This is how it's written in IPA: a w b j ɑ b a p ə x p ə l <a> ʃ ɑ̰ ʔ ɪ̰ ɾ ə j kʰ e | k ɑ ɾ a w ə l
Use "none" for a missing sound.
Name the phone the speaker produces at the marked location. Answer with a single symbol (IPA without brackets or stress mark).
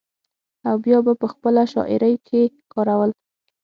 a